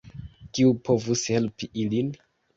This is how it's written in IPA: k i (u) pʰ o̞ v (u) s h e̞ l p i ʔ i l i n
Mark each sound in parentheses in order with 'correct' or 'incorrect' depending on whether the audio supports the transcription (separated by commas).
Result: correct, correct